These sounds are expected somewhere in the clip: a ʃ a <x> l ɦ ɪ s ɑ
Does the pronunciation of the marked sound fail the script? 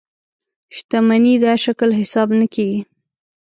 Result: yes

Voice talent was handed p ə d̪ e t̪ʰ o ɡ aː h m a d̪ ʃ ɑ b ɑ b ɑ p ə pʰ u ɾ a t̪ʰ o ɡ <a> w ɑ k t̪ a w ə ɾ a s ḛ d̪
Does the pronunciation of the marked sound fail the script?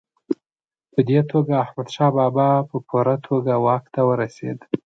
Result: no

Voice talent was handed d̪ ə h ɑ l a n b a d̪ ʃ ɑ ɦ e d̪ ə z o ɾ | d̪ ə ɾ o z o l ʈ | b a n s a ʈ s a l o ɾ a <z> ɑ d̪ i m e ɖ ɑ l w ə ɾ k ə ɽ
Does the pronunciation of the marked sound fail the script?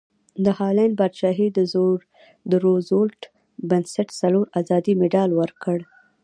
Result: no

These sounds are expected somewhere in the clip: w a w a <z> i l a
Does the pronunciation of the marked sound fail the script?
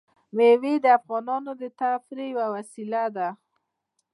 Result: yes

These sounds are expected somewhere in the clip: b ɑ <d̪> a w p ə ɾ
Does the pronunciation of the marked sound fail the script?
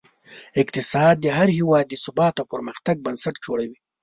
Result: yes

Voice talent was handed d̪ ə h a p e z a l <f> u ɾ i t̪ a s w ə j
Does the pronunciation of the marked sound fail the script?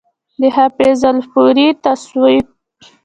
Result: no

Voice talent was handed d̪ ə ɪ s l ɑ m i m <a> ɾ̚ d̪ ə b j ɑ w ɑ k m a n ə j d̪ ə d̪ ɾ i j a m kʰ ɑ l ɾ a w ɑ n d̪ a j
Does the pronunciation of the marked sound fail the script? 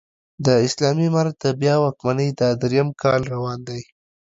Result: no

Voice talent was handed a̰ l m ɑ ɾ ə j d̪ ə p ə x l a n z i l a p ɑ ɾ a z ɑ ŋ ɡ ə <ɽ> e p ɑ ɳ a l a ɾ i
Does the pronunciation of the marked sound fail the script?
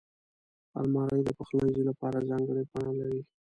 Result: no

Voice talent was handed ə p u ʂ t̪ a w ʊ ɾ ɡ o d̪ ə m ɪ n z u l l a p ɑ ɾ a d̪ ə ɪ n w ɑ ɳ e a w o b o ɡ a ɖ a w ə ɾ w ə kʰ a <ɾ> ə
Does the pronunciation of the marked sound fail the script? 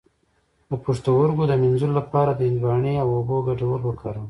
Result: no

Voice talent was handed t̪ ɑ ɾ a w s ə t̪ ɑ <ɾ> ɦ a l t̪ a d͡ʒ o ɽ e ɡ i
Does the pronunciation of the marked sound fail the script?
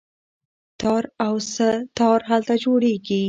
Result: no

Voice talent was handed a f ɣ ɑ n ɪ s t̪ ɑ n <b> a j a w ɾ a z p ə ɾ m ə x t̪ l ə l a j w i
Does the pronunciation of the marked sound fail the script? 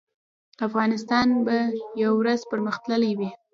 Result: no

